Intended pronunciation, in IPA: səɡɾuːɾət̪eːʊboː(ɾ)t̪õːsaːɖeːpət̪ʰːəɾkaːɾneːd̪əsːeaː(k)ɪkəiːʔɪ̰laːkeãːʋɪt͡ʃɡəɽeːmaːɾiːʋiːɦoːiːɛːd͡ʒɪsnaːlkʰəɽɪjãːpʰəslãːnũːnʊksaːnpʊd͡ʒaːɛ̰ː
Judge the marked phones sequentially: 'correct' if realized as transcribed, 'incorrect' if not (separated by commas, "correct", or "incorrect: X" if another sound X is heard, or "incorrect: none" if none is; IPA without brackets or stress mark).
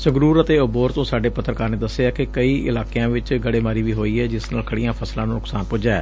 correct, correct